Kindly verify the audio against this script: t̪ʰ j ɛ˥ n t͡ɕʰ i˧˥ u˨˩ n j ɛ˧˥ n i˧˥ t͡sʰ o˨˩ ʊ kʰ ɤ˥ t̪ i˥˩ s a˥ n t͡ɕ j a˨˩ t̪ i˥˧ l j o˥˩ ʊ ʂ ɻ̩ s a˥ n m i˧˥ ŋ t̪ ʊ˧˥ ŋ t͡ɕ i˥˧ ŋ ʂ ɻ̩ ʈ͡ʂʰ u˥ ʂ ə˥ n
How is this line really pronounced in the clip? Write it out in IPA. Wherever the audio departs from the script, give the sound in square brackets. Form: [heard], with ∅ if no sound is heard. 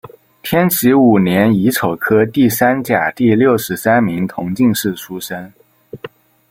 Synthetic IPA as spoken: t̪ʰ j ɛ˥ n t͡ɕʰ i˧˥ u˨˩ n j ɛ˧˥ n i˧˥ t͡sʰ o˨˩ ʊ kʰ ɤ˥ t̪ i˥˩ s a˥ n t͡ɕ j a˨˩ t̪ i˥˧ l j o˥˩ ʊ ʂ ɻ̩ s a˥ n m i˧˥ ŋ [t̪ʰ] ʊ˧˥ ŋ t͡ɕ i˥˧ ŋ ʂ ɻ̩ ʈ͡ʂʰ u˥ ʂ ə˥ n